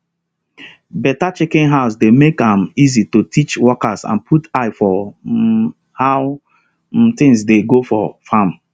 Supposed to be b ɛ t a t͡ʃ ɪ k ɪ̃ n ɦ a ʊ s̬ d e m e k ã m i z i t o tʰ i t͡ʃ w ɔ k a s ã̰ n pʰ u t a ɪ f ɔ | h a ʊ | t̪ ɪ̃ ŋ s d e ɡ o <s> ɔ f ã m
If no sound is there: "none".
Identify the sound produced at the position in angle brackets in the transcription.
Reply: f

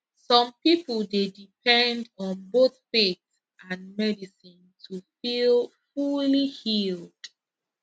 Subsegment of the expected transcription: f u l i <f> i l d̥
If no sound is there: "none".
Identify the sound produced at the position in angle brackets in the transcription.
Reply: h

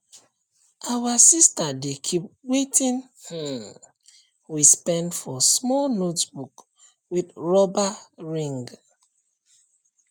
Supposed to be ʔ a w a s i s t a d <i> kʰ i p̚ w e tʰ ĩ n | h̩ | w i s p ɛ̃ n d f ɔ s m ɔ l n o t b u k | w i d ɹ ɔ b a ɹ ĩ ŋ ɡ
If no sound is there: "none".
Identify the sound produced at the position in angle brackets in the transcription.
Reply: e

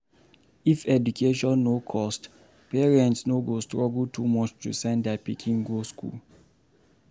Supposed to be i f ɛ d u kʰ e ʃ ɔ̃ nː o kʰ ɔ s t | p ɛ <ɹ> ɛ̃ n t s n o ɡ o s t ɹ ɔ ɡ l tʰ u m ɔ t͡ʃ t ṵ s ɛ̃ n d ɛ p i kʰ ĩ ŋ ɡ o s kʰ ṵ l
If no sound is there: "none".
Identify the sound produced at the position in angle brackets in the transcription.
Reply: ɹ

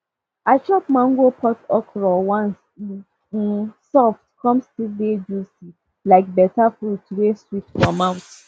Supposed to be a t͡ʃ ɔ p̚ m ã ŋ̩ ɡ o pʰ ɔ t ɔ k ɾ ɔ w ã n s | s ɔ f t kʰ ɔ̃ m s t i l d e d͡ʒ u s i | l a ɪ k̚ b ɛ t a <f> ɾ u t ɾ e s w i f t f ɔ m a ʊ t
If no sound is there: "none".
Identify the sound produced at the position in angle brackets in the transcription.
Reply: f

